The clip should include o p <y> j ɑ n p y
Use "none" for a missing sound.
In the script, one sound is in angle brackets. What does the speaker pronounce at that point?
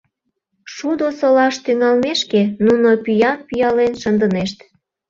y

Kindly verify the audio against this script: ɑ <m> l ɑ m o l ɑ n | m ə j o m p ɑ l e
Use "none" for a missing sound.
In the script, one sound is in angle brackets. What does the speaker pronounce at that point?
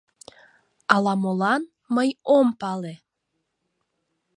none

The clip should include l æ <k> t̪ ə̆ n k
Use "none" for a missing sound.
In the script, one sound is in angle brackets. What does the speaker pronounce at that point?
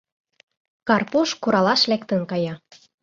k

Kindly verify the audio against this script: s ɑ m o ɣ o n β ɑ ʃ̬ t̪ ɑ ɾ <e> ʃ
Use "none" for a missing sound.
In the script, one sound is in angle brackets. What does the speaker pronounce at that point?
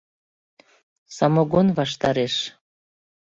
e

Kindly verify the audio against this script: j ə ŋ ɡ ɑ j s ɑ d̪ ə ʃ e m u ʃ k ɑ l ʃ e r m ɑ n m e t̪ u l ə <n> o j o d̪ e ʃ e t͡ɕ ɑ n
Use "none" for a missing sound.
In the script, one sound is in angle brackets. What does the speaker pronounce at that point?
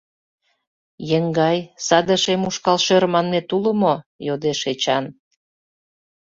m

